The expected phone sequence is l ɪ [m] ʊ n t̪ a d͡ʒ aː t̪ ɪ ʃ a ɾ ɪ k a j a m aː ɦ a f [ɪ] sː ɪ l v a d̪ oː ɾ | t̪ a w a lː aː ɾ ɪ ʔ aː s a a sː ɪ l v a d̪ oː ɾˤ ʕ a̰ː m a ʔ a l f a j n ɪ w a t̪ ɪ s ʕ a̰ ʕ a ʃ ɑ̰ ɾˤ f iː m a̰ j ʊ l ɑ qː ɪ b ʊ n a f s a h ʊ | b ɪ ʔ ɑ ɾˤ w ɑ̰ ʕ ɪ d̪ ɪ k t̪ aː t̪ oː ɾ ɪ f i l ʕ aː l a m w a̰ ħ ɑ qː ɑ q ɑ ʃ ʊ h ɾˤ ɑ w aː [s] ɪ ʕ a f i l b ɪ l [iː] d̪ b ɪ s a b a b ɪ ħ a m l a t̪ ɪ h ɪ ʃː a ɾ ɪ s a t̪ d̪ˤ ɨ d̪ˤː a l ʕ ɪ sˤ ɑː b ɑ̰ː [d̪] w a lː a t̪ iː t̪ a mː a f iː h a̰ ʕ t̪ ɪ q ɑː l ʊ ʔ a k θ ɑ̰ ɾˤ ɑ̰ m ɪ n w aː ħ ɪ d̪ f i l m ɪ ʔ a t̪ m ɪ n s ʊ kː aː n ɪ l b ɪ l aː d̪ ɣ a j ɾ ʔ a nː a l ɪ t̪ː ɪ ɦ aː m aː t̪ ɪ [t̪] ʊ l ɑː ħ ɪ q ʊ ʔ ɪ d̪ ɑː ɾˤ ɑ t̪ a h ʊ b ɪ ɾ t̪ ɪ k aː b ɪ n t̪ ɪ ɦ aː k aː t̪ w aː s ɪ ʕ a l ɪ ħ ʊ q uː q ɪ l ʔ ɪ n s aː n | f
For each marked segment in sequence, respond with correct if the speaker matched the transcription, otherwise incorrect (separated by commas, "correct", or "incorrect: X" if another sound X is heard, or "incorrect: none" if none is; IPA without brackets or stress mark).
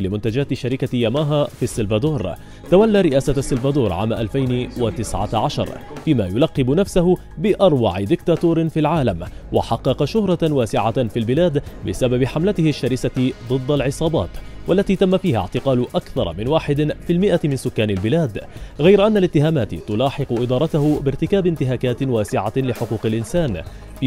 correct, incorrect: i, correct, incorrect: aː, incorrect: t̪, correct